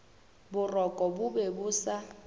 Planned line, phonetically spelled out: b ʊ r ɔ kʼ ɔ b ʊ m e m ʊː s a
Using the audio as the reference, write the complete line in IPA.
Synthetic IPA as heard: b ʊ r ɔ kʼ ɔ b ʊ b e b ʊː s a